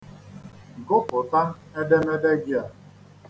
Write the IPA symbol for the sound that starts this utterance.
ɡ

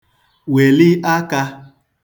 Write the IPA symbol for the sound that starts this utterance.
w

